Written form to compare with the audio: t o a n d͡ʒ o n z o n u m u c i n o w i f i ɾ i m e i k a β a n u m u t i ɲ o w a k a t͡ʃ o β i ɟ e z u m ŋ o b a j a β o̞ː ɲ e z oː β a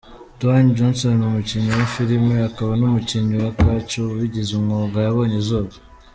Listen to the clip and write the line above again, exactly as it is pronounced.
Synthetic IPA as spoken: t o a n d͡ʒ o n s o n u m u c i ɲ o w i f i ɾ i m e a k a β a n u m u c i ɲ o w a k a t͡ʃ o β i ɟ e z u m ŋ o ɡ a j a β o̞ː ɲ e z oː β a